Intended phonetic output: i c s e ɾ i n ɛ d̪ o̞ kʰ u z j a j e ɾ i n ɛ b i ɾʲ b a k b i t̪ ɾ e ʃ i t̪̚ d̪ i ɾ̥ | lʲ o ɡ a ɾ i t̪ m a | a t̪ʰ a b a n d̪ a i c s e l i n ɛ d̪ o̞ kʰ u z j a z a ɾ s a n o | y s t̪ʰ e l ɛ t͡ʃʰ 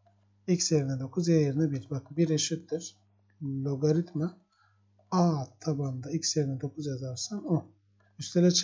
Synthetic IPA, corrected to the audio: i c s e ɾ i n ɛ d̪ o̞ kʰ u z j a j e ɾ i n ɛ b i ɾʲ b a k b i ɾ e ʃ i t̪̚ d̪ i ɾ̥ | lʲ o ɡ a ɾ i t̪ m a | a t̪ʰ a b a n d̪ a i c s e ɾ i n ɛ d̪ o̞ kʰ u z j a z a ɾ s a n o | y s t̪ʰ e l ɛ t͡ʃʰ